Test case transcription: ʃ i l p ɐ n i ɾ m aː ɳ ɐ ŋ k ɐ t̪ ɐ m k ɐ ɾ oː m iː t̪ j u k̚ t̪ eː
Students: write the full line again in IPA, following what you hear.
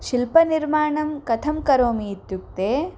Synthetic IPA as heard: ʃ i l p ɐ n i ɾ m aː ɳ ɐ m k ɐ t̪ʰ ɐ m k ɐ ɾ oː m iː t̪ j u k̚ t̪ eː

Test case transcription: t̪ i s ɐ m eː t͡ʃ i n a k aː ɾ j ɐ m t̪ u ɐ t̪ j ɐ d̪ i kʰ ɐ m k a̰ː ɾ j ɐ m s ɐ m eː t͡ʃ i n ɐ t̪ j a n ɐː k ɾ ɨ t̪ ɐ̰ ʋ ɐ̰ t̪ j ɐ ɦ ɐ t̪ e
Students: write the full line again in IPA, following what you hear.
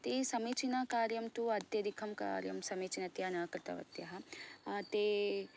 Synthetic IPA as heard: t̪ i s ɐ m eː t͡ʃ i n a k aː ɾ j ɐ m t̪ u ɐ d̪ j ɐ d̪ i kʰ ɐ m k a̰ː ɾ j ɐ m s ɐ m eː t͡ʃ i n ɐ t̪ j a n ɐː k ɾ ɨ t̪ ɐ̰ ʋ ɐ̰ t̪ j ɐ ɦ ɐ t̪ e

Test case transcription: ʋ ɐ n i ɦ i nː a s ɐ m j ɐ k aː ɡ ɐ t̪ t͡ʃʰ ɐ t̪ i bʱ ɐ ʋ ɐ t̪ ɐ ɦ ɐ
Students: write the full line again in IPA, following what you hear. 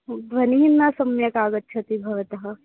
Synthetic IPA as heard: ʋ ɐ n i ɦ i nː a s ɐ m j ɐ k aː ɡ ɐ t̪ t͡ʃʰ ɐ t̪ i bʱ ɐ ʋ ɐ t̪ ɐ ɦ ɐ

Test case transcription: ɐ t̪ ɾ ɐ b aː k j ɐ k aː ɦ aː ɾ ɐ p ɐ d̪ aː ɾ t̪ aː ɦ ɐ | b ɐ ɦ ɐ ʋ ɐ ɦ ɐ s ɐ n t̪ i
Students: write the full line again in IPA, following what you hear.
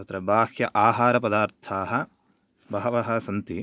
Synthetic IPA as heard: ɐ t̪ ɾ ɐ b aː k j ɐ ʔ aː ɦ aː ɾ ɐ p ɐ d̪ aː ɾ t̪ʰ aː ɦ ɐ | b ɐ ɦ ɐ ʋ ɐ ɦ ɐ s ɐ n t̪ i

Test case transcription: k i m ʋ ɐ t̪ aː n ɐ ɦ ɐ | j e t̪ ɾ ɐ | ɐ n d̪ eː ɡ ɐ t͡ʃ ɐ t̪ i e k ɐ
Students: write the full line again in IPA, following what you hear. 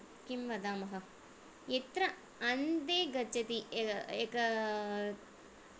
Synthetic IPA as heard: k i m ʋ ɐ d̪ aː m ɐ ɦ ɐ | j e t̪ ɾ ɐ | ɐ n d̪ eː ɡ ɐ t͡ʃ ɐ t̪ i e k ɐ

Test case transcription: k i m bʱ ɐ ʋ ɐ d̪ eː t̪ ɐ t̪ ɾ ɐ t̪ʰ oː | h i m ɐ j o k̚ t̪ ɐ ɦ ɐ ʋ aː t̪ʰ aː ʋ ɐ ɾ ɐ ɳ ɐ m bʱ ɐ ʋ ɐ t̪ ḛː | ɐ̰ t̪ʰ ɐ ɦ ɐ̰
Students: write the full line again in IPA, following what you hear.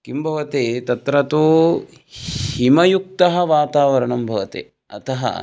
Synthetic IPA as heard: k i m bʱ ɐ ʋ ɐ t̪ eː t̪ ɐ t̪ ɾ ɐ t̪ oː | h i m ɐ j u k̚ t̪ ɐ ɦ ɐ ʋ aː t̪ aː ʋ ɐ ɾ ɐ ɳ ɐ m bʱ ɐ ʋ ɐ t̪ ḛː | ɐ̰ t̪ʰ ɐ ɦ ɐ̰

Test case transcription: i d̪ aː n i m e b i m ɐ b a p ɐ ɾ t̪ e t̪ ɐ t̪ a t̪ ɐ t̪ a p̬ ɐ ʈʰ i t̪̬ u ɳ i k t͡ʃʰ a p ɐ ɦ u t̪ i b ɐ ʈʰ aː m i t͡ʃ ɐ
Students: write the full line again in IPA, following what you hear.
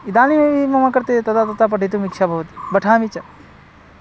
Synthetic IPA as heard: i d̪ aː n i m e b i m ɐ m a k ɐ ɾ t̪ e t̪ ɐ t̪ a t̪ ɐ t̪ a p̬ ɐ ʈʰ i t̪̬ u m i k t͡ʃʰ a b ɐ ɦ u t̪ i b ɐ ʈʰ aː m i t͡ʃ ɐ

